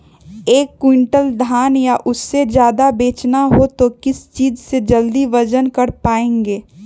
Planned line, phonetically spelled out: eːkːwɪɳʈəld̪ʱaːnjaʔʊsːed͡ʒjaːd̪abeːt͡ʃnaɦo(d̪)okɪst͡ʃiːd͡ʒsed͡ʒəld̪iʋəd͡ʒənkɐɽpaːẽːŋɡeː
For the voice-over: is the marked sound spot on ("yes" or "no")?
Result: no